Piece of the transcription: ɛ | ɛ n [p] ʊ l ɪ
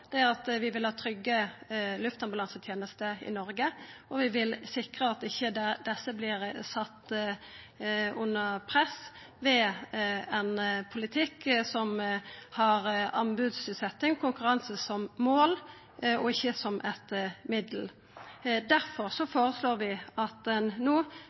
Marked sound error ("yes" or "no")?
yes